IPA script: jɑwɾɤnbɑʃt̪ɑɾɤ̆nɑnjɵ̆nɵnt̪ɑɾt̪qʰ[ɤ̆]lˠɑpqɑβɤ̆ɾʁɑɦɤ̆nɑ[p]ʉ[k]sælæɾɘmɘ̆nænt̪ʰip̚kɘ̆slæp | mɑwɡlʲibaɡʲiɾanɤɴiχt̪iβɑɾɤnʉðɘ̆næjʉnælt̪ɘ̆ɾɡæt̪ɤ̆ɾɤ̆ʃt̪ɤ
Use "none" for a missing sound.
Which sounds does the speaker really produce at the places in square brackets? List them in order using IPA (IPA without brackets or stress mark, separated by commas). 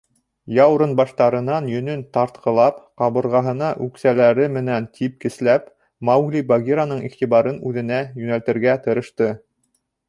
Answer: ɤ̆, ʔ, k